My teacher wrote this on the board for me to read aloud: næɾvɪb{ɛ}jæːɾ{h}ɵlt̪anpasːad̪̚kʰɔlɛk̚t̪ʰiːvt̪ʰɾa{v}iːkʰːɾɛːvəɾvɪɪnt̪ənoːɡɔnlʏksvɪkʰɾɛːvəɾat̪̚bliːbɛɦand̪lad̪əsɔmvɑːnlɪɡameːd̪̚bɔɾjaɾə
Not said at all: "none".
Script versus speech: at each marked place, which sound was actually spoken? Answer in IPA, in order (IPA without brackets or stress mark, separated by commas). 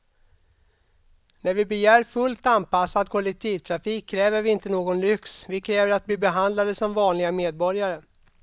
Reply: ɛ, f, f